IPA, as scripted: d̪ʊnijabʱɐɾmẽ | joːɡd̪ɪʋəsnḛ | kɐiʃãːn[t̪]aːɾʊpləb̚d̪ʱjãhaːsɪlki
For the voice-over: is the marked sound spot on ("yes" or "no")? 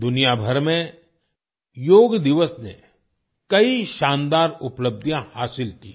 no